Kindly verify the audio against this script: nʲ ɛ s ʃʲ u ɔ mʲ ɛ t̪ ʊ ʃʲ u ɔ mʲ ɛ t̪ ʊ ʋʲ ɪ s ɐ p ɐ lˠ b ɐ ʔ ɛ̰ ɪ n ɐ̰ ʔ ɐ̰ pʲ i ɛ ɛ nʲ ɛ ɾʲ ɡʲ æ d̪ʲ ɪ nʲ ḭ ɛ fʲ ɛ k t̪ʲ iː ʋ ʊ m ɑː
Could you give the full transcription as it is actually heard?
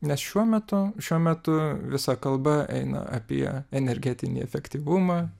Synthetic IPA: nʲ ɛ s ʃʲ u ɔ mʲ ɛ t̪ ʊ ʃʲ u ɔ mʲ ɛ t̪ ʊ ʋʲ ɪ s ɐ k ɐ lˠ b ɐ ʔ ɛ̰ ɪ n ɐ̰ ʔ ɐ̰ pʲ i ɛ ɛ nʲ ɛ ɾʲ ɡʲ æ t̪ʲ ɪ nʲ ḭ ɛ fʲ ɛ k t̪ʲ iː ʋ ʊ m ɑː